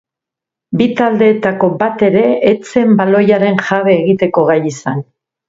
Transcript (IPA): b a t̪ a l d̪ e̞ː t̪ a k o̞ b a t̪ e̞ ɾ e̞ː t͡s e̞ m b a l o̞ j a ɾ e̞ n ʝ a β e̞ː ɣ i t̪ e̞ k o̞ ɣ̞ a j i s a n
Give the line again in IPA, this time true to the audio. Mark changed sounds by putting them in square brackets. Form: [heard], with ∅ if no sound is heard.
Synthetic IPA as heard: b [i] t̪ a l d̪ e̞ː t̪ a k o̞ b a t̪ e̞ ɾ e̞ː t͡s e̞ m b a l o̞ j a ɾ e̞ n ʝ a β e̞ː ɣ i t̪ e̞ k o̞ ɣ̞ a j i s a n